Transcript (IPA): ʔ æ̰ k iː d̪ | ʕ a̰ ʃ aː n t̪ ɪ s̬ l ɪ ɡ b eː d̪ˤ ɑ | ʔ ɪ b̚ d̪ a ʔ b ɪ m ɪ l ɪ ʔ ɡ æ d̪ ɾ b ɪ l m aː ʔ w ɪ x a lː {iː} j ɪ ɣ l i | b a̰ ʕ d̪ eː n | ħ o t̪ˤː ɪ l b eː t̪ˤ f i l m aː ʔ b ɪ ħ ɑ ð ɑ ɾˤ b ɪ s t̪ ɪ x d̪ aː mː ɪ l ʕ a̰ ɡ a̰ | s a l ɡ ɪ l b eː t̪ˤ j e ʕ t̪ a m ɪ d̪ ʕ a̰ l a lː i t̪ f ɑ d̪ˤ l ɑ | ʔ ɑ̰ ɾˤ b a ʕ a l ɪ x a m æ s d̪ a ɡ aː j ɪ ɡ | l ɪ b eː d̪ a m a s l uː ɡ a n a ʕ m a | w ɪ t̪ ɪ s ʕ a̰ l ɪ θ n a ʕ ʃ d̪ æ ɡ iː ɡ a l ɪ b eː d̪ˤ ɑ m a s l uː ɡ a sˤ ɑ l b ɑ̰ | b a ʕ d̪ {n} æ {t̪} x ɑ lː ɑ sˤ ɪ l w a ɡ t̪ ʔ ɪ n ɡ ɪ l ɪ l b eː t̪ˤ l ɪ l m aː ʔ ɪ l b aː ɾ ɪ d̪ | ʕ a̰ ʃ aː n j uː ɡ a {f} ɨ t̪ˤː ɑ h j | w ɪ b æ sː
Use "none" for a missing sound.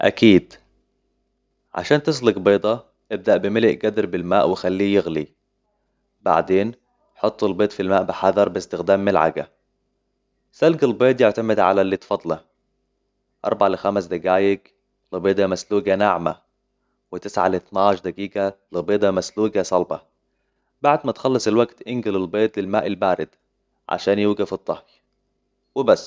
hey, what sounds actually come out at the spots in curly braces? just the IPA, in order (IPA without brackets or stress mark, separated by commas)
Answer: iː, m, t̪, f